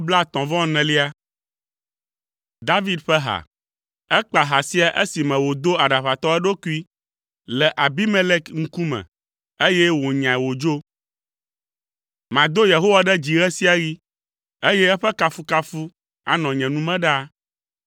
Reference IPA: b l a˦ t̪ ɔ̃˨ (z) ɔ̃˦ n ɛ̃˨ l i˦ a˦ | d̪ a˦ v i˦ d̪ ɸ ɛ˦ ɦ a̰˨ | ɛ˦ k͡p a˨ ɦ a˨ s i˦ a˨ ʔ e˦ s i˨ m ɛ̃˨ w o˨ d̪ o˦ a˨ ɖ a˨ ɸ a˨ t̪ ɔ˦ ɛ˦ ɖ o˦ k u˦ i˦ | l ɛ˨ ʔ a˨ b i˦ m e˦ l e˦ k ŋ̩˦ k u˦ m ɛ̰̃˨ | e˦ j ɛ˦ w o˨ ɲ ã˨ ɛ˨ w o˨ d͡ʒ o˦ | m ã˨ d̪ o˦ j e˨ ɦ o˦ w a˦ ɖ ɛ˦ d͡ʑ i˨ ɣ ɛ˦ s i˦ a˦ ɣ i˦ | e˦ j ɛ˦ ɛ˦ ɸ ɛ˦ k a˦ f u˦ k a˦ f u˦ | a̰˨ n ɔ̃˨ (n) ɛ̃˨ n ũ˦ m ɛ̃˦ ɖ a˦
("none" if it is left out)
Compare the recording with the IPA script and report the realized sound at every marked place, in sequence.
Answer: v, ɲ

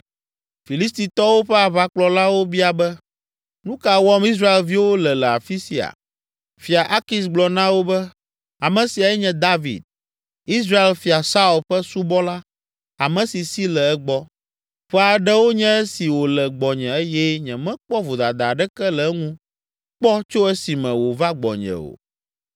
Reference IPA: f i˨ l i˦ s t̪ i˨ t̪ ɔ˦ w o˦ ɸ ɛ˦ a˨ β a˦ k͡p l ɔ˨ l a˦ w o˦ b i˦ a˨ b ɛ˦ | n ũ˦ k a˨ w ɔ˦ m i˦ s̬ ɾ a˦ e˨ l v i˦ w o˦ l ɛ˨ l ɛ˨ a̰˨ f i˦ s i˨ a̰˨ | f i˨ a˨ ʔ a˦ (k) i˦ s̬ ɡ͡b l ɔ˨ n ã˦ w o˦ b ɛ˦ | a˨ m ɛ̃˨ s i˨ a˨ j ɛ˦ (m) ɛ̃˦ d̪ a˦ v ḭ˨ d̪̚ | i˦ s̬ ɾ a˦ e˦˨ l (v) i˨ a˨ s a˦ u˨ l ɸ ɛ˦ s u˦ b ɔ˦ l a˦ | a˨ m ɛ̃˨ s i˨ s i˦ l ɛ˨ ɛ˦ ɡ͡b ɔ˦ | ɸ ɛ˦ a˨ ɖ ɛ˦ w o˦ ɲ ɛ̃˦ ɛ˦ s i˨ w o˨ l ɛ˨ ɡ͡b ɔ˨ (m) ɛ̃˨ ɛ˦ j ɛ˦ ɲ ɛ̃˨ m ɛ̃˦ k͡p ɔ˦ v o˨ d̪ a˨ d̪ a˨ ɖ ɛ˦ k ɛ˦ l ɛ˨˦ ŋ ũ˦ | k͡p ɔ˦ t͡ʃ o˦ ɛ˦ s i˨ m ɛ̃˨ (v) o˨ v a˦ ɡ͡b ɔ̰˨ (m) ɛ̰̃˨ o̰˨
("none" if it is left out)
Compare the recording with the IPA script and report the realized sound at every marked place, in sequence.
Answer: k, ɲ, f, ɲ, w, ɲ

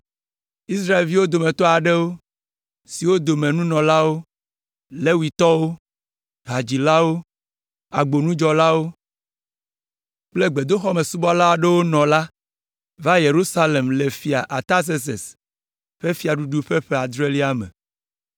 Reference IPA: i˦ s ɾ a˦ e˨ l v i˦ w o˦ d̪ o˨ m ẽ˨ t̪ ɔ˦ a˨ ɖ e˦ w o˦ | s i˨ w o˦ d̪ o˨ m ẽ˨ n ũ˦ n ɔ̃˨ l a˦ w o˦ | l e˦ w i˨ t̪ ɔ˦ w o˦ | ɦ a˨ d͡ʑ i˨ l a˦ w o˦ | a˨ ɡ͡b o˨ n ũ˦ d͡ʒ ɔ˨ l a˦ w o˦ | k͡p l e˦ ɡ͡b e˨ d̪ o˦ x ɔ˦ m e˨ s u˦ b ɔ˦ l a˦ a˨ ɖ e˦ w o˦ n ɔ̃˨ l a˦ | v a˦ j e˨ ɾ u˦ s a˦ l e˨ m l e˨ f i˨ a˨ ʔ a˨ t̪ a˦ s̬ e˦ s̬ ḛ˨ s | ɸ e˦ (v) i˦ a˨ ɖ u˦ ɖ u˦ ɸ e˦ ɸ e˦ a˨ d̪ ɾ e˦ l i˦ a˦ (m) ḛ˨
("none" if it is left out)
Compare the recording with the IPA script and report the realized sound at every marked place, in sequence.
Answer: f, m

